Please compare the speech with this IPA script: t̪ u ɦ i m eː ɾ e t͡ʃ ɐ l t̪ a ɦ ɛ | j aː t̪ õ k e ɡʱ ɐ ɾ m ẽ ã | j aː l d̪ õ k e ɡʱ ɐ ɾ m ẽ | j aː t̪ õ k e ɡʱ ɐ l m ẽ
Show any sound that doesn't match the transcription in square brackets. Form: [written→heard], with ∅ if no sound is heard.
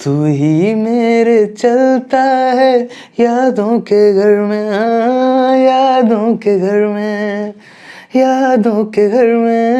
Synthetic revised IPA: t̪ u ɦ i m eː ɾ e t͡ʃ ɐ l t̪ a ɦ ɛ | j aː [t̪→d̪] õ k e ɡʱ ɐ ɾ m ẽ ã | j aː [l→∅] d̪ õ k e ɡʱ ɐ ɾ m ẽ | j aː [t̪→d̪] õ k e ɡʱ ɐ [l→ɾ] m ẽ

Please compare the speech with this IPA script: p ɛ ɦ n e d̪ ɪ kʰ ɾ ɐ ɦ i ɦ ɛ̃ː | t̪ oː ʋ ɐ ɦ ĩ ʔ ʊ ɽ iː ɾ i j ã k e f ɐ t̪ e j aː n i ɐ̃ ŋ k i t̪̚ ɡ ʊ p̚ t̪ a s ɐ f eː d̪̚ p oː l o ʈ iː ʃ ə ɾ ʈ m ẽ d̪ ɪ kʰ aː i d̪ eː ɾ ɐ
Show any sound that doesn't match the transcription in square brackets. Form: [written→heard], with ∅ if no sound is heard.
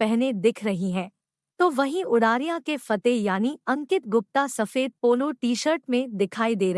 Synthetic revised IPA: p ɛ ɦ n e d̪ ɪ kʰ ɾ ɐ ɦ i ɦ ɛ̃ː | t̪ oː ʋ ɐ ɦ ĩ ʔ ʊ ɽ [iː→aː] ɾ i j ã k e f ɐ t̪ e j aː n i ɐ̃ ŋ k [i→ɪ] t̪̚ ɡ ʊ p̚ t̪ a s ɐ f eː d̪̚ p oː l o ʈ iː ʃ ə ɾ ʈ m ẽ d̪ ɪ kʰ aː i d̪ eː ɾ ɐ

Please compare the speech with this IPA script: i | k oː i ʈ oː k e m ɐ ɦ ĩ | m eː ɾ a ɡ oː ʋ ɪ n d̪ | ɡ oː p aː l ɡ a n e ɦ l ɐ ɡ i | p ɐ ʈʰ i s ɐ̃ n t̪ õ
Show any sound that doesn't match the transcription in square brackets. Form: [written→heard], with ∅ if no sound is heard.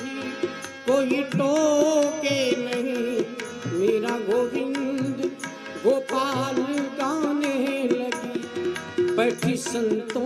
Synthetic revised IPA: i | k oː i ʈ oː k e [m→n] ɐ ɦ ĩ | m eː ɾ a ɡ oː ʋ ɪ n d̪ | ɡ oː p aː l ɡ a n e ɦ l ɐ ɡ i | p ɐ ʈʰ i s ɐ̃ n t̪ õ

